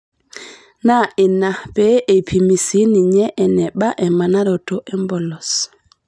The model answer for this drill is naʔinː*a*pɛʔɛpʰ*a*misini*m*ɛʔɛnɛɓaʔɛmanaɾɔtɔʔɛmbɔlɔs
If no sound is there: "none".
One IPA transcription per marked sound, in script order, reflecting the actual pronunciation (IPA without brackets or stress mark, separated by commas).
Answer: a, i, ɲ